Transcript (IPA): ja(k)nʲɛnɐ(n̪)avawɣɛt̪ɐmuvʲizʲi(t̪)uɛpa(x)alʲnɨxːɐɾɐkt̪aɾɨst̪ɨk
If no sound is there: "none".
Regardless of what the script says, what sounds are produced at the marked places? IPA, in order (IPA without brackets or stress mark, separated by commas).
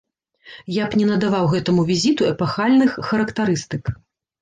p, d̪, t̪, x